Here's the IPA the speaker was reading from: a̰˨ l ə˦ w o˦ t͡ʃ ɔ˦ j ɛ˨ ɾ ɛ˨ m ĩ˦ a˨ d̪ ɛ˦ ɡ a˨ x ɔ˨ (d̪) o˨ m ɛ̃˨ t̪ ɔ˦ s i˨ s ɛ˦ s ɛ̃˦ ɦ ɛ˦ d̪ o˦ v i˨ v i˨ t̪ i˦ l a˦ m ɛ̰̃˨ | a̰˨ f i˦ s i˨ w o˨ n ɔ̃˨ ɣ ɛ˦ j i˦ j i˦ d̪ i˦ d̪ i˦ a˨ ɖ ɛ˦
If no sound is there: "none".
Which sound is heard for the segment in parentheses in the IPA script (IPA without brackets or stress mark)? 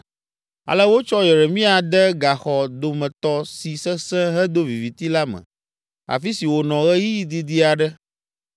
d̪